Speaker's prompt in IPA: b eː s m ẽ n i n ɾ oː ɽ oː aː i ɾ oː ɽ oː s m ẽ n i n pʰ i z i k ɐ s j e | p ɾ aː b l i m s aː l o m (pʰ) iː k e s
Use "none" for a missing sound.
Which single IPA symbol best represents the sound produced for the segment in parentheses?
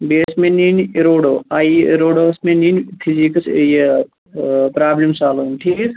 ʈʰ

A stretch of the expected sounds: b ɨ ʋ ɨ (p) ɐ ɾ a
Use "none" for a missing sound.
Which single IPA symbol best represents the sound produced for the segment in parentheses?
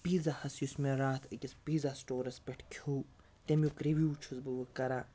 k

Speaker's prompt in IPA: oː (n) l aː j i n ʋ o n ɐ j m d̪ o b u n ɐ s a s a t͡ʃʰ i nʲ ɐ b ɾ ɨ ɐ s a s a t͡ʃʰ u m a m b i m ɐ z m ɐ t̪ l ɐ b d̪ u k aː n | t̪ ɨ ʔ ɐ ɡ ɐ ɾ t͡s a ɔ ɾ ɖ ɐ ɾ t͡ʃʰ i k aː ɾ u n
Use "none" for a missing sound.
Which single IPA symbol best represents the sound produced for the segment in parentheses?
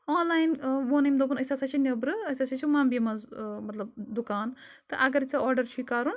n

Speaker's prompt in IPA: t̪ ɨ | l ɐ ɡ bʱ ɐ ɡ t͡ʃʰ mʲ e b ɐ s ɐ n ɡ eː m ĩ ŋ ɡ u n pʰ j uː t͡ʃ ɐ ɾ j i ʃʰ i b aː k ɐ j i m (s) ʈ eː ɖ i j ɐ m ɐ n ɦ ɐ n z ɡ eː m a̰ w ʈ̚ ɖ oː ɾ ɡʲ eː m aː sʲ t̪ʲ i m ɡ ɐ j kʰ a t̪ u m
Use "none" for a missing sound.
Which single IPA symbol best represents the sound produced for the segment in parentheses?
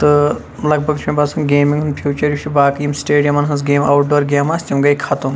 s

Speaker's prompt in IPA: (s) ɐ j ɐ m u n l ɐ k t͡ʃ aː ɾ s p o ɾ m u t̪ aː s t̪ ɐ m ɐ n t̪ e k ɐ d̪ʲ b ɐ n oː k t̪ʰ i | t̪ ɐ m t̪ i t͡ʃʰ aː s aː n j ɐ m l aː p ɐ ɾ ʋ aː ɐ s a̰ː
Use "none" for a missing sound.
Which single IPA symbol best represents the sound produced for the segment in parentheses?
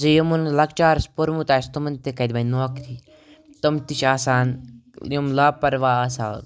z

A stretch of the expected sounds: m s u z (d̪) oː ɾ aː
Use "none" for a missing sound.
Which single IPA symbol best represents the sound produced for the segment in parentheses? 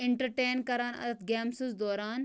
d̪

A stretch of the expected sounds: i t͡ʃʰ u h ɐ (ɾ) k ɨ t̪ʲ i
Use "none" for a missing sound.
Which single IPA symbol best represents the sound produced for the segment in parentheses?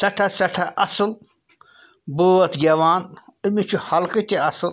l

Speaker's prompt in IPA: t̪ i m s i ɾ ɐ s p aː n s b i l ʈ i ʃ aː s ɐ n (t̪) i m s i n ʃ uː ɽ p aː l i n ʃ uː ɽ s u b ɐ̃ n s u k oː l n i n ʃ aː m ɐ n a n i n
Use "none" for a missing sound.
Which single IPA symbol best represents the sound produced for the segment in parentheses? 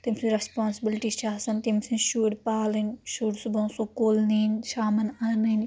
t̪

